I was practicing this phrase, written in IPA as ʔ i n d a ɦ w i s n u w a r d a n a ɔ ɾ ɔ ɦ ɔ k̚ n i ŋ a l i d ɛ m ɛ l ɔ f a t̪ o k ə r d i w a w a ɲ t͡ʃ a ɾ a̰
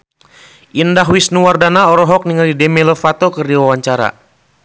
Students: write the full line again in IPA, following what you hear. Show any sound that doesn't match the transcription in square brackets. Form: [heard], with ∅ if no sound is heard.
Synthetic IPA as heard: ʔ i n d a ɦ w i s n u w a r d a n a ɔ ɾ ɔ ɦ ɔ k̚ n i ŋ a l i d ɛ m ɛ l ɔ f a t̪ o k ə r d i w a w a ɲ t͡ʃ a ɾ a̰